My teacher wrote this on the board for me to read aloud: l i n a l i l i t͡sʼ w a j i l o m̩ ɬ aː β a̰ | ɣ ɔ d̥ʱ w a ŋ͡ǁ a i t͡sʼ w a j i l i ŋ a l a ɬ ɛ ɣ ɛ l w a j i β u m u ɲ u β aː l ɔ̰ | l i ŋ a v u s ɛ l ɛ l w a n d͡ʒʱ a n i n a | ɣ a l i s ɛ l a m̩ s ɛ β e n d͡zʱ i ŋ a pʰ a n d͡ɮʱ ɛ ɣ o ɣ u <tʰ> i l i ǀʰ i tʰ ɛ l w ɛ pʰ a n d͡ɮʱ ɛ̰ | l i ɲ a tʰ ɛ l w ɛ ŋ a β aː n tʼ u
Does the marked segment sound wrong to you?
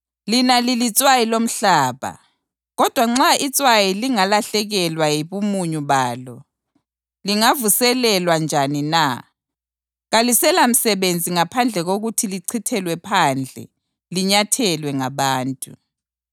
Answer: no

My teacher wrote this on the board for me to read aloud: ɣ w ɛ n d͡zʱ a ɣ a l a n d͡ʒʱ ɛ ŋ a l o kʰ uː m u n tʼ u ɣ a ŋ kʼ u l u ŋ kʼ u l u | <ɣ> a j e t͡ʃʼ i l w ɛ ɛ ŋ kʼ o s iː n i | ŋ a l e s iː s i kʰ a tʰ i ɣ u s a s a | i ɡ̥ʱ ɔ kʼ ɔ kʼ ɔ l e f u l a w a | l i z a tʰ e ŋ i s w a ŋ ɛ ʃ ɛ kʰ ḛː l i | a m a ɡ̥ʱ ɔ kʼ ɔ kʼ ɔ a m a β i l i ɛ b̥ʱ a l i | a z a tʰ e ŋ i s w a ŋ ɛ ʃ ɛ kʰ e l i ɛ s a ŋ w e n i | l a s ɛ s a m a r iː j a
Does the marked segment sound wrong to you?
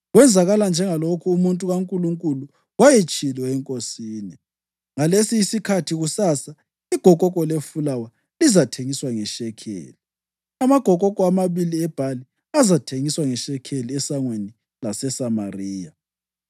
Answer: yes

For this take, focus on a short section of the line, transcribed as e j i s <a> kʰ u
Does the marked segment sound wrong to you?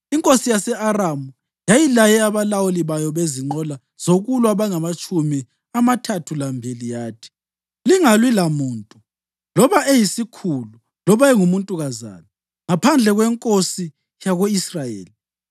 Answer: yes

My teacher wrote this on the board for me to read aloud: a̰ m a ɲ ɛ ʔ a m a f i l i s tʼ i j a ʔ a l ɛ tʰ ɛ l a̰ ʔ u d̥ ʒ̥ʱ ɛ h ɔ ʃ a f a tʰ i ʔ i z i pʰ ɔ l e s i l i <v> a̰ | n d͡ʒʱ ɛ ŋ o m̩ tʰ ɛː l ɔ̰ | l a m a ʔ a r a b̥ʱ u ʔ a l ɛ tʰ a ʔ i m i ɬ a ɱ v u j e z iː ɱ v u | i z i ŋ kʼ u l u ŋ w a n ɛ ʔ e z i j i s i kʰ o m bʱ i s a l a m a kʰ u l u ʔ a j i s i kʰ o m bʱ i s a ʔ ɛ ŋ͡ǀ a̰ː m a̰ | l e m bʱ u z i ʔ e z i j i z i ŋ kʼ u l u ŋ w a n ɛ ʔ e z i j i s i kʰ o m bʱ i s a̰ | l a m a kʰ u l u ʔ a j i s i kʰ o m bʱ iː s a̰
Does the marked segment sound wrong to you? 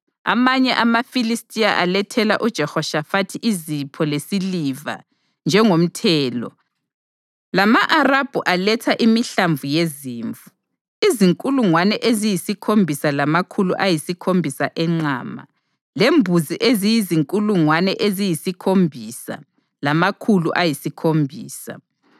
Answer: no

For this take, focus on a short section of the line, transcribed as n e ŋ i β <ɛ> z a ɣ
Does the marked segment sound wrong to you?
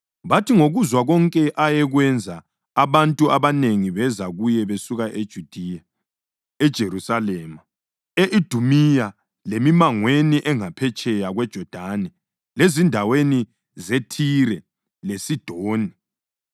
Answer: no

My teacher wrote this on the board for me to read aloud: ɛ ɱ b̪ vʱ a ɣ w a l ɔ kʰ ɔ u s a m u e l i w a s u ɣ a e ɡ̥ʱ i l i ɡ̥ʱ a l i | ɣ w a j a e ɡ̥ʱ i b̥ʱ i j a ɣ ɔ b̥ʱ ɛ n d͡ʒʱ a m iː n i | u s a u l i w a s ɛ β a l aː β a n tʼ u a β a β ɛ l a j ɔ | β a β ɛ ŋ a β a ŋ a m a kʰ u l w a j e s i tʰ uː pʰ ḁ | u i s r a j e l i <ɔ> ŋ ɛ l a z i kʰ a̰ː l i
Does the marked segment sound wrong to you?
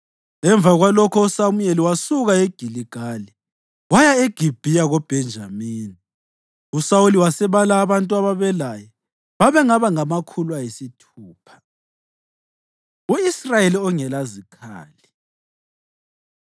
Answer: no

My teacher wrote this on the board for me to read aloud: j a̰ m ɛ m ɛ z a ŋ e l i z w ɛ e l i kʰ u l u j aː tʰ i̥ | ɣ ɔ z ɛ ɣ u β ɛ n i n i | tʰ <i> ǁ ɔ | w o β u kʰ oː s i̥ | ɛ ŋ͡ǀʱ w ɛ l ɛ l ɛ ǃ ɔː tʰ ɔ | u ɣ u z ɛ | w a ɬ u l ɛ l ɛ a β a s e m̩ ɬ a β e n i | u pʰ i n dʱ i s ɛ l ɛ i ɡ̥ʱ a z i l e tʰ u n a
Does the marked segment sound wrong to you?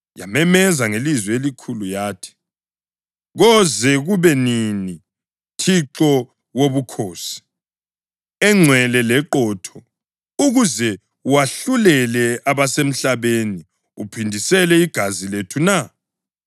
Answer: no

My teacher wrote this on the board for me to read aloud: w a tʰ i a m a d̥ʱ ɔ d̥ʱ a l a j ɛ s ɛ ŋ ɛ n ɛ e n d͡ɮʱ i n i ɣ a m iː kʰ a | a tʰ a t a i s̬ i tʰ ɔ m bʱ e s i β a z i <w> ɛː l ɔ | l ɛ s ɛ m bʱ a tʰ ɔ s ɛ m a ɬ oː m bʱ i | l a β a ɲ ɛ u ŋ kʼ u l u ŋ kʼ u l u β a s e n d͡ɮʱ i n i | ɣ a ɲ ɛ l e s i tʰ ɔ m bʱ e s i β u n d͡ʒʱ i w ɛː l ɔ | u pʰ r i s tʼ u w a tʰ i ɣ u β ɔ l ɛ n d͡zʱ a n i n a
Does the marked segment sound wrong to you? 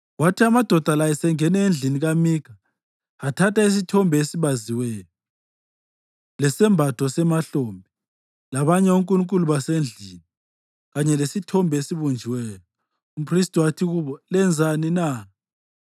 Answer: no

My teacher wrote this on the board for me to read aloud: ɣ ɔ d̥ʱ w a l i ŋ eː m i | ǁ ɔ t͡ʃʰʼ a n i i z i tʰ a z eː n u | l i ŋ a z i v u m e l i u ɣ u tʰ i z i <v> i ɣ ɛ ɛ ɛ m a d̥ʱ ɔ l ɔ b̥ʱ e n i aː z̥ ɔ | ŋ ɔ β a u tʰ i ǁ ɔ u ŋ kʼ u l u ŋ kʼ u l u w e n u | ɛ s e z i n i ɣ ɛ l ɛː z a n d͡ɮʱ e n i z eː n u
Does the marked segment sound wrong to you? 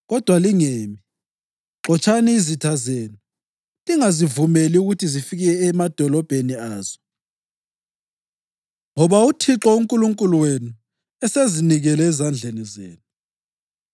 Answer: yes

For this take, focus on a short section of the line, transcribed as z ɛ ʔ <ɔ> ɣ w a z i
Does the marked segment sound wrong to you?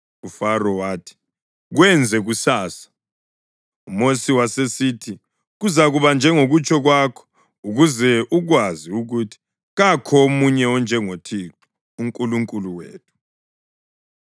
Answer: yes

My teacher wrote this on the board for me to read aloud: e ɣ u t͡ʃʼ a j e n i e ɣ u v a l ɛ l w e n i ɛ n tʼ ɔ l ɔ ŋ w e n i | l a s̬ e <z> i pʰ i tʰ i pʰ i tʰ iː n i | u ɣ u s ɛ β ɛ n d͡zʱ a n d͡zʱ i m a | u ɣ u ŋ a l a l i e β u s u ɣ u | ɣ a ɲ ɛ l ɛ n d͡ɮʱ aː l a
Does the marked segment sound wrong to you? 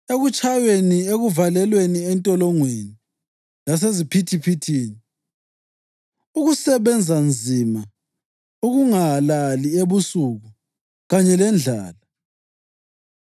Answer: no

